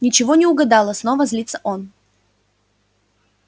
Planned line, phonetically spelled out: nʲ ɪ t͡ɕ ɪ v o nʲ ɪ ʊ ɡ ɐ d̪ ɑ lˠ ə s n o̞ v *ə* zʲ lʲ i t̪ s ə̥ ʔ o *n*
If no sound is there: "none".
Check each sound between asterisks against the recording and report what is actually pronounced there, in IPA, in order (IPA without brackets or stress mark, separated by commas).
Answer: ə, n